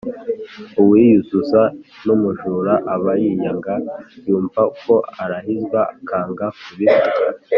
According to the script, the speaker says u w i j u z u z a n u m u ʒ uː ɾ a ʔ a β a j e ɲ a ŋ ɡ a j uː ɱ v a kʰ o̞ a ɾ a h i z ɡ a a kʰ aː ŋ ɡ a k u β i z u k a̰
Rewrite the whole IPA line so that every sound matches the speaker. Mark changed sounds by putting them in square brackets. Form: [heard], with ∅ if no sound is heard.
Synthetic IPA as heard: u w i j u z u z a n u m u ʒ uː ɾ a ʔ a β a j [i] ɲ a ŋ ɡ a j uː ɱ v a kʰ o̞ a ɾ a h i z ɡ a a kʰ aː ŋ ɡ a k u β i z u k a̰